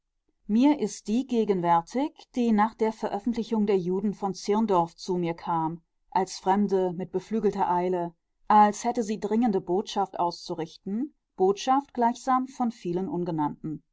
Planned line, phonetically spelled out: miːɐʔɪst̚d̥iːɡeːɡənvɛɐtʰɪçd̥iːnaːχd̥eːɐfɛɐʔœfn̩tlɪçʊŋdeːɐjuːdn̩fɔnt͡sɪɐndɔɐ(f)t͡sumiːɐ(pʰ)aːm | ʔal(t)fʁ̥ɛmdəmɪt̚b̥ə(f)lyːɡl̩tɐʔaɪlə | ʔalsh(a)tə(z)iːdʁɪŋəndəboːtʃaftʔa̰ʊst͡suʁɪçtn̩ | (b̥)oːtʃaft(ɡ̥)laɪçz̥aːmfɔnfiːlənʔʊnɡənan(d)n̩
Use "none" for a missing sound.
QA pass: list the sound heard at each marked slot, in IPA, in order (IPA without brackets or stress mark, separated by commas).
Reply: f, kʰ, s, f, ɛ, z, b̥, ɡ̥, t